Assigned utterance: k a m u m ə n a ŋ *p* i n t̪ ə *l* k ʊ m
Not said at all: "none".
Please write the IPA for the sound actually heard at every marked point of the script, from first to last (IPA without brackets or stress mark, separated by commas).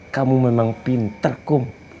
p, r